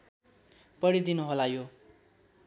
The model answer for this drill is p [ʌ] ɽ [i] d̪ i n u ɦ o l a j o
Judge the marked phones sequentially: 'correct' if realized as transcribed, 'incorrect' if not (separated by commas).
correct, correct